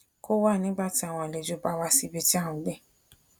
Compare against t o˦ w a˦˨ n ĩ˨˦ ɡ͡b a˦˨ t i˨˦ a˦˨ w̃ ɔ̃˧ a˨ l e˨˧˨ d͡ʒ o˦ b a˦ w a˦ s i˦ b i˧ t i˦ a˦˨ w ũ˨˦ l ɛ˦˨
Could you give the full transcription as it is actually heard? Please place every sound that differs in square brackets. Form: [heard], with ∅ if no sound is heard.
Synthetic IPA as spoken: [k] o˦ w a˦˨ n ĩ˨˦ ɡ͡b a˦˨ t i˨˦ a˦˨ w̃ ɔ̃˧ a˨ l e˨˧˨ d͡ʒ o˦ b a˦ w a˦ s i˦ b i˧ t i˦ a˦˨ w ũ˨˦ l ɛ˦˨